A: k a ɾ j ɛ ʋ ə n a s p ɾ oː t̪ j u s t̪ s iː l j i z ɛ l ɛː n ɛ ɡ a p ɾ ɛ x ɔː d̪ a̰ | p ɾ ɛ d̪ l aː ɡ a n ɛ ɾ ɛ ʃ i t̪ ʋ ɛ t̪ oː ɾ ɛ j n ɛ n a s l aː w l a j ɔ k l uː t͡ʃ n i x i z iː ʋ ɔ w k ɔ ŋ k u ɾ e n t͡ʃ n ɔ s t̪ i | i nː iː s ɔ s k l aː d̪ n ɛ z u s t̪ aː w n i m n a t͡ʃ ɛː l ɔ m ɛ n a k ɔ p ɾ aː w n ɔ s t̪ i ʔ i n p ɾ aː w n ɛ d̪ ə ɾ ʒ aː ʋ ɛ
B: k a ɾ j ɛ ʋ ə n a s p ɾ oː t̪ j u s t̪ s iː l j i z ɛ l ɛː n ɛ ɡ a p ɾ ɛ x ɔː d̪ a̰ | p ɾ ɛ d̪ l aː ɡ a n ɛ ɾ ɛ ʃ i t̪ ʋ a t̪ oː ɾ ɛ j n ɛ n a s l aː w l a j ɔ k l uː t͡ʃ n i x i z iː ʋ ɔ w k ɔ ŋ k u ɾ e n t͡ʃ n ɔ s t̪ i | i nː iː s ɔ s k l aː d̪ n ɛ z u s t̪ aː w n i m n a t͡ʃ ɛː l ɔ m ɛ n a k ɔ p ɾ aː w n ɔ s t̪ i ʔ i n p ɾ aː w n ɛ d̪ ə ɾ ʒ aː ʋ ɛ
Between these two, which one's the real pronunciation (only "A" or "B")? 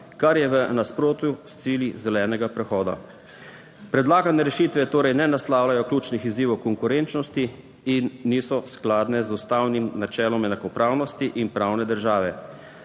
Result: A